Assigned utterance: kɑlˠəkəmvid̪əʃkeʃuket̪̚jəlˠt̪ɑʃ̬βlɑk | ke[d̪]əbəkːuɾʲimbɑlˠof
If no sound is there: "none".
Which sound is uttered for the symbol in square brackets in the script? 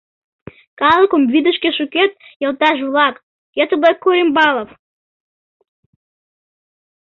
t̪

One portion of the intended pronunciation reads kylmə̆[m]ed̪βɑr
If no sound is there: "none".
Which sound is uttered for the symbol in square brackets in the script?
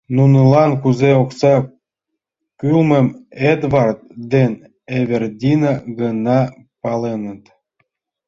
m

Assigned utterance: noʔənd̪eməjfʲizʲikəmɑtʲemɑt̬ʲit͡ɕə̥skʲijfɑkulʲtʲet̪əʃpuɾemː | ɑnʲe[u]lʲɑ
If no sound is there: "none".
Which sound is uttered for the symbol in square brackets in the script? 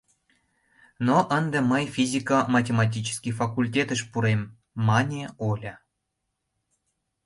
o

